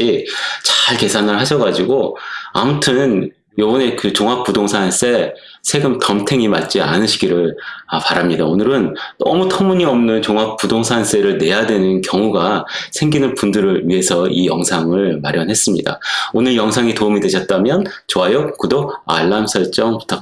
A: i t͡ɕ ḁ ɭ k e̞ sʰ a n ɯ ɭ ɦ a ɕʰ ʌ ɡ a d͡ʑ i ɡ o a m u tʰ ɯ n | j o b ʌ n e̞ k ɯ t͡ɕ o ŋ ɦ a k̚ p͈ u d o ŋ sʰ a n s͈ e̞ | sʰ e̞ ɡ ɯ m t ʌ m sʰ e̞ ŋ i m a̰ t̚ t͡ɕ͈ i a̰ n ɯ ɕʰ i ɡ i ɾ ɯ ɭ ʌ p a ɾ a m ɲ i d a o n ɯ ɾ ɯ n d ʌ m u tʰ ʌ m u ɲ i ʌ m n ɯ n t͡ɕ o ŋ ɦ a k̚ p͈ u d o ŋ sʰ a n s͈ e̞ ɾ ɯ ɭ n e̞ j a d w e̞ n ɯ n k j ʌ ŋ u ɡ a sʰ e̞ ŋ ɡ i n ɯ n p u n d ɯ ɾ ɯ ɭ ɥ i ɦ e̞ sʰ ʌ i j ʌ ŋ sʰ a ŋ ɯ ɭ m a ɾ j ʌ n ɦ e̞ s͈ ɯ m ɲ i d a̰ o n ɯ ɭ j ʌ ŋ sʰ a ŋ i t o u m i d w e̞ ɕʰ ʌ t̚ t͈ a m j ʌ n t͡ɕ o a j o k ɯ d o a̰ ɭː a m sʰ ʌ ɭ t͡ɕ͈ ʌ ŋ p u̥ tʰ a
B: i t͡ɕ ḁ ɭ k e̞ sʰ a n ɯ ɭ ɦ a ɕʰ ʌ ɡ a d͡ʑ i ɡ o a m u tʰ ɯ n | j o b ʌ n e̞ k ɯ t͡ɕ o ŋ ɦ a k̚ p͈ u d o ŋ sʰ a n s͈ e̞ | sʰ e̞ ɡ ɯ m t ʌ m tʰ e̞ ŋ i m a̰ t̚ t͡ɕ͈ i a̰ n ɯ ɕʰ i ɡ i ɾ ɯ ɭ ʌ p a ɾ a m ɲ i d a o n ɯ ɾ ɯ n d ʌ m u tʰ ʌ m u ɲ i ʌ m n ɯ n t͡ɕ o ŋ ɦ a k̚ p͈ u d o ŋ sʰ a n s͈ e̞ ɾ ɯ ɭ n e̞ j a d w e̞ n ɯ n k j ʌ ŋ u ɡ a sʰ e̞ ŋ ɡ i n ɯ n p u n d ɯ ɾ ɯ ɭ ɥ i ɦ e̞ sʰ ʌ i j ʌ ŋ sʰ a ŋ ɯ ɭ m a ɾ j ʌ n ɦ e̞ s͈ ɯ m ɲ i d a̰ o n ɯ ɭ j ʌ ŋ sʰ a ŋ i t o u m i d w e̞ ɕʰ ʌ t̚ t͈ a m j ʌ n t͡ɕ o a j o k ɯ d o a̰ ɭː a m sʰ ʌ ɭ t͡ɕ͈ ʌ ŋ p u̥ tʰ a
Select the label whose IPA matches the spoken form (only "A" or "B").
B